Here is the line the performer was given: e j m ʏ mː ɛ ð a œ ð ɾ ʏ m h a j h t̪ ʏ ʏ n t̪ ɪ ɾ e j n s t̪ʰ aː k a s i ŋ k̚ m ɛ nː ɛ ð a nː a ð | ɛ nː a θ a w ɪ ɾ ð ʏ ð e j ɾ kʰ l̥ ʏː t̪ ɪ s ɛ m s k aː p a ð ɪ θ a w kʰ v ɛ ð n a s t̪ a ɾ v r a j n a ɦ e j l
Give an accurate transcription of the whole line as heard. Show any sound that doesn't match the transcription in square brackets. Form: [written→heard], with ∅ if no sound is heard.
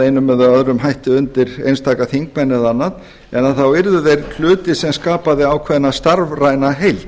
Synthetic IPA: e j [m→n] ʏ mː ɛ ð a œ ð ɾ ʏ m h a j h t̪ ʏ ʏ n t̪ ɪ ɾ e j n s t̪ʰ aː k a [s→θ] i ŋ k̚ m ɛ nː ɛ ð a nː a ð | ɛ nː a θ a w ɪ ɾ ð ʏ ð e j ɾ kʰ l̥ ʏː t̪ ɪ s ɛ m s k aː p a ð ɪ [θ→∅] a w kʰ v ɛ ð n a s t̪ a ɾ v r a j n a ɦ e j l

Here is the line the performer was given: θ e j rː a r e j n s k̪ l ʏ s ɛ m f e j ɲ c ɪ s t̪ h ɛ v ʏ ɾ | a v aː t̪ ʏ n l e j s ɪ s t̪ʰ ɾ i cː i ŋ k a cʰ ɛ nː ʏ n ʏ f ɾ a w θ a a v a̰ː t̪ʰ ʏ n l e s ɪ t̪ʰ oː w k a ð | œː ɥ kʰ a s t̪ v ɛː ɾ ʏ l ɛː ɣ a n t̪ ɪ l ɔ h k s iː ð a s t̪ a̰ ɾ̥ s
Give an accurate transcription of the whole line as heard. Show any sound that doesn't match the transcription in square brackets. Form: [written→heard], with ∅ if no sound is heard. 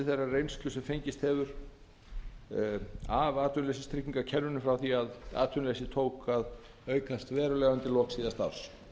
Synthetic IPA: θ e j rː a r e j n s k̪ l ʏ s ɛ m f e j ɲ c ɪ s t̪ h ɛ v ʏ ɾ | a v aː t̪ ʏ n l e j s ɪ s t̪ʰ ɾ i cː i ŋ k a cʰ ɛ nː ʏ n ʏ f ɾ a w θ [a→i] a [v→ð] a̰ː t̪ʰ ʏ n l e s ɪ t̪ʰ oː w k a ð | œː ɥ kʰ a s t̪ v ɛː ɾ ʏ l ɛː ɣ a n t̪ ɪ l ɔ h k s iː ð a s t̪ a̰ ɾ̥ s

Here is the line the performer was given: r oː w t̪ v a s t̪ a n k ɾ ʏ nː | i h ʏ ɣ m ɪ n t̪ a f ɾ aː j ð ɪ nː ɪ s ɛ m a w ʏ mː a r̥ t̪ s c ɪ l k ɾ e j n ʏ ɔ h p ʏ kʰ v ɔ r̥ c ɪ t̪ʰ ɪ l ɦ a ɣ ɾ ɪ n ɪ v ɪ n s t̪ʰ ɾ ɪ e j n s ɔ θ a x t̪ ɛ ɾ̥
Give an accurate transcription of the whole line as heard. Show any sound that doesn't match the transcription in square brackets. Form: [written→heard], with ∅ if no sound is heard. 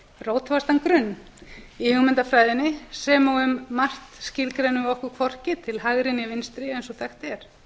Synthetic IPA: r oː w t̪ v a s t̪ a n k ɾ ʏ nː | i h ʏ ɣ m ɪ n t̪ a f ɾ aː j ð ɪ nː ɪ s ɛ m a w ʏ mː a r̥ t̪ s c ɪ l k ɾ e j n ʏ ɔ h [p→k] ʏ kʰ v ɔ r̥ c ɪ t̪ʰ ɪ l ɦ a ɣ ɾ ɪ n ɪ v ɪ n s [t̪ʰ→t̪] ɾ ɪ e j n s ɔ θ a x t̪ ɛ ɾ̥

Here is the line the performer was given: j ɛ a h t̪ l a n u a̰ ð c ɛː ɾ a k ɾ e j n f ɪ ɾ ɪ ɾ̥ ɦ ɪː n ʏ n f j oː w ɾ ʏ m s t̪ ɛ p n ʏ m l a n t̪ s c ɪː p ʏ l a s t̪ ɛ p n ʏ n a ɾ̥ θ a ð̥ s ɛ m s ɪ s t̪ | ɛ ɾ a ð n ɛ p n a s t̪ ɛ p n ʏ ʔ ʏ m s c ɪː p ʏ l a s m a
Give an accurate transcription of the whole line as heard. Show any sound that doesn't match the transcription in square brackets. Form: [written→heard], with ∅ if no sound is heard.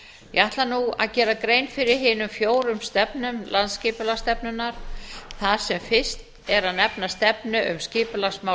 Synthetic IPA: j ɛ a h t̪ l a n u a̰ ð c ɛː ɾ a k ɾ e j n f ɪ ɾ ɪ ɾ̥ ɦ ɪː n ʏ [n→m] f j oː w ɾ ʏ m s t̪ ɛ p n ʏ m l a n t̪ s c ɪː p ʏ l a s t̪ ɛ p n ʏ n a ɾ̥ θ a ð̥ s ɛ m [s→f] ɪ s t̪ | ɛ ɾ a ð n ɛ p n a s t̪ ɛ p n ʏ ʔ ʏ m s c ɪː p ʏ l a s m a

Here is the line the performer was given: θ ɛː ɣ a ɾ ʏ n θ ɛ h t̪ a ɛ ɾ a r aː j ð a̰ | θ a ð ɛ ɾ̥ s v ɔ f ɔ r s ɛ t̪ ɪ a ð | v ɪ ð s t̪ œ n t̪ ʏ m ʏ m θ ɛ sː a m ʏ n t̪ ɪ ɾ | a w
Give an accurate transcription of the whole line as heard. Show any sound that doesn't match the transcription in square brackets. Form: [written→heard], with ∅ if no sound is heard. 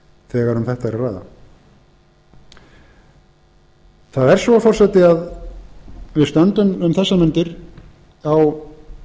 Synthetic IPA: θ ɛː ɣ a ɾ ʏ [n→m] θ ɛ h t̪ a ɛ ɾ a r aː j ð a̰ | θ a ð ɛ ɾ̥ s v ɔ f ɔ r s ɛ t̪ ɪ a ð | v ɪ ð s t̪ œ n t̪ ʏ m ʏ m θ ɛ sː a m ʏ n t̪ ɪ ɾ | a w

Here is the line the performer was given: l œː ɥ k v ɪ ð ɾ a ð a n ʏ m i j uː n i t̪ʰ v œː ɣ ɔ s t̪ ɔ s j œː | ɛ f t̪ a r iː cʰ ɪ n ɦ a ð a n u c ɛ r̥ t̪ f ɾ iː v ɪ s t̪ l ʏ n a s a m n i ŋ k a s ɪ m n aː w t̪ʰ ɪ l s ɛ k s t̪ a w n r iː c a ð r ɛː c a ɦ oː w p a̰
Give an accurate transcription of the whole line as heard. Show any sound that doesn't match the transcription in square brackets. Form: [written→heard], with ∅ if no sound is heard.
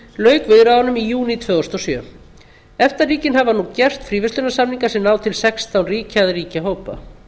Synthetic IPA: l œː ɥ k v ɪ ð ɾ a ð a n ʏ m i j uː n i t̪ʰ v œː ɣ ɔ s t̪ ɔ s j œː | ɛ f t̪ a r iː [cʰ→c] ɪ n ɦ a [ð→v] a n u c ɛ r̥ t̪ f ɾ iː v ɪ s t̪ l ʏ n a s a m n i ŋ k a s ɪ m n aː w t̪ʰ ɪ l s ɛ k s t̪ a w n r iː c a ð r [ɛː→iː] c a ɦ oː w p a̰

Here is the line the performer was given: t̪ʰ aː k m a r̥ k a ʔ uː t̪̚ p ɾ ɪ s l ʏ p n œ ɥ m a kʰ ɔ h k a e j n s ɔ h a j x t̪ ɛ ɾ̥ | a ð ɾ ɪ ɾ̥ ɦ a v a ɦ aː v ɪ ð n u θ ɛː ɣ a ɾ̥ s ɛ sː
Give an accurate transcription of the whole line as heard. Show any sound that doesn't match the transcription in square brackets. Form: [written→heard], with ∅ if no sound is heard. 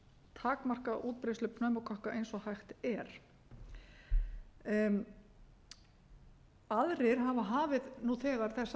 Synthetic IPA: t̪ʰ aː k m a r̥ k a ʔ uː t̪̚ p ɾ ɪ s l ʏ p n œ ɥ m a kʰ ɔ h k a e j n s ɔ h a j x t̪ ɛ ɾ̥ | a ð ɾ ɪ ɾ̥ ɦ a v a ɦ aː v ɪ ð n u θ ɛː ɣ a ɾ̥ [s→θ] ɛ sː

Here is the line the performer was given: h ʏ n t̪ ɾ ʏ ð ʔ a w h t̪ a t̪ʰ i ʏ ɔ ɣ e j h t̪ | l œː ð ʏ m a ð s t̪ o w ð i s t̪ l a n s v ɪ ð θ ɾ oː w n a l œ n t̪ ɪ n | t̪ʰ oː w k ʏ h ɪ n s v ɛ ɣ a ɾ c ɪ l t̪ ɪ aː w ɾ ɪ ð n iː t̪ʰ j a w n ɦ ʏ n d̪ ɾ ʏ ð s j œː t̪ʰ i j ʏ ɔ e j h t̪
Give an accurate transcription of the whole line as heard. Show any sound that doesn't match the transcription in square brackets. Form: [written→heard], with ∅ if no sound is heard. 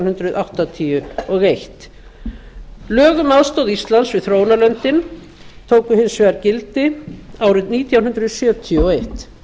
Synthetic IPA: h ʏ n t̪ ɾ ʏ ð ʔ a w h t̪ a t̪ʰ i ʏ ɔ ɣ e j h t̪ | l œː [ð→ɣ] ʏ m a ð s t̪ o w ð i s t̪ l a n s v ɪ ð θ ɾ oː w n a l œ n t̪ ɪ n | t̪ʰ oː w k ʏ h ɪ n s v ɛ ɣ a ɾ c ɪ l t̪ ɪ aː w ɾ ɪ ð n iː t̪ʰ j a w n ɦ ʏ n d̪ ɾ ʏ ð s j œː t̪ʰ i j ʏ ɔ e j h t̪

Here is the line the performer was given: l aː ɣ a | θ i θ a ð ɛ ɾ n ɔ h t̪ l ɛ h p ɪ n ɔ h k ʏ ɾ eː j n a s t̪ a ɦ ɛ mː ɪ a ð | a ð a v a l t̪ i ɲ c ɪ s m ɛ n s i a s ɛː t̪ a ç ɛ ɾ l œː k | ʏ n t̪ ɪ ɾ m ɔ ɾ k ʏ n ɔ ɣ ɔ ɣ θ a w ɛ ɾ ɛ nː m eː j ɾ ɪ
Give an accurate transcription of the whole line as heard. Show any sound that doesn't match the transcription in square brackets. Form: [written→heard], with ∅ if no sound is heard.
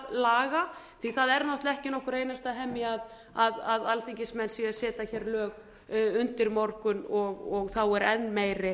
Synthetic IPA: l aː ɣ a | θ i θ a ð ɛ ɾ n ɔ h t̪ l ɛ h [p→c] ɪ n ɔ h k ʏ ɾ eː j n a s t̪ a ɦ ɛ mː ɪ a ð | a ð a [v→ð] a l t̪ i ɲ c ɪ s m ɛ n s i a s ɛː t̪ a ç ɛ ɾ l œː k | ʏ n t̪ ɪ ɾ m ɔ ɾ k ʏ n ɔ ɣ ɔ ɣ θ a w ɛ ɾ ɛ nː m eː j ɾ ɪ

